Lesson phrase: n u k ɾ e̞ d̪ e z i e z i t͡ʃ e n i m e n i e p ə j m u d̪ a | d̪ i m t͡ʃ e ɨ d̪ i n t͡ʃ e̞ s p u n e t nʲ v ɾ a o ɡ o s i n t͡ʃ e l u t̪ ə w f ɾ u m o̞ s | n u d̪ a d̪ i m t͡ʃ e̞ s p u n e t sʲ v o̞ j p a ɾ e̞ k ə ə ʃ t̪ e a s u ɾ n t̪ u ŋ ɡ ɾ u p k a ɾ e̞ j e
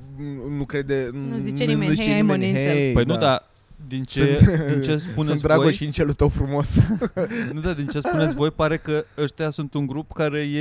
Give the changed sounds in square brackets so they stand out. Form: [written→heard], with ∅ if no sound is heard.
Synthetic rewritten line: n u k ɾ e̞ d̪ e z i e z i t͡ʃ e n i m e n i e p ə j [m→n] u d̪ a | d̪ i [m→n] t͡ʃ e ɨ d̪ i n t͡ʃ e̞ s p u n e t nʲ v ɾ a o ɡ o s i n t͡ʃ e l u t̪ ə w f ɾ u m o̞ s | n u d̪ a d̪ i [m→n] t͡ʃ e̞ s p u n e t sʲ v o̞ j p a ɾ e̞ k ə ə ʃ t̪ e a s u [ɾ→∅] n t̪ u ŋ ɡ ɾ u p k a ɾ e̞ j e